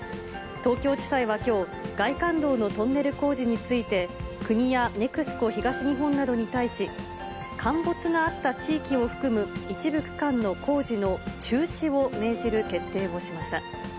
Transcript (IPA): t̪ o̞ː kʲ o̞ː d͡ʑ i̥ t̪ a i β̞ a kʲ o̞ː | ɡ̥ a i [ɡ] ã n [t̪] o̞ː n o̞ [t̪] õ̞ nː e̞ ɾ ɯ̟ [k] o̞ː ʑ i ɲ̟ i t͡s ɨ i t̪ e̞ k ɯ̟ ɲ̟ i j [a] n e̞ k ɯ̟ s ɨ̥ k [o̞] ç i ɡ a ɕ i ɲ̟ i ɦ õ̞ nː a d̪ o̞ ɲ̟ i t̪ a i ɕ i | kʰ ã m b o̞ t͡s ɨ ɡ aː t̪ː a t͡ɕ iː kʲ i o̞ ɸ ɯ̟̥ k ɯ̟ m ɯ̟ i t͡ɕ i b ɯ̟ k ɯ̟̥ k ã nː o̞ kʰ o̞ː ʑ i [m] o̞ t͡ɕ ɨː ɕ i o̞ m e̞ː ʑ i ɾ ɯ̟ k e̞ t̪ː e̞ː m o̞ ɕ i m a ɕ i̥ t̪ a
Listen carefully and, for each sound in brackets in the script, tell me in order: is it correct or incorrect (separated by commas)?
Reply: incorrect, incorrect, correct, correct, correct, correct, incorrect